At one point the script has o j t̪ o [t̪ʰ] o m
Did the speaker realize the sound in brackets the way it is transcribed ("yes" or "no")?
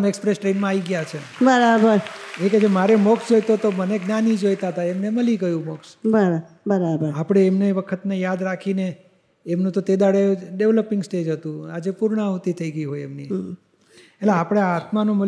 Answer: no